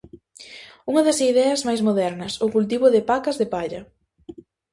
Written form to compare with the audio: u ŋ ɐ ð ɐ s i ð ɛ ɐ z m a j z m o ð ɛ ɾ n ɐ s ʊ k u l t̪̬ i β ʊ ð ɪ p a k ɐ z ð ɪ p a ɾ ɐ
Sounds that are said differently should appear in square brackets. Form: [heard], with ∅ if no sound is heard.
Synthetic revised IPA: u ŋ ɐ ð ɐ s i ð ɛ ɐ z m a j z m o ð ɛ ɾ n ɐ s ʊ k u l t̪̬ i β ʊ ð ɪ p a k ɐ z ð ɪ p a [ʎ] ɐ